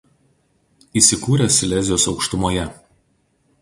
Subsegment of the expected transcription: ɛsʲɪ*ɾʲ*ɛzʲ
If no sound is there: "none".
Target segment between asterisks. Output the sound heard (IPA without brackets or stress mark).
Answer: lʲ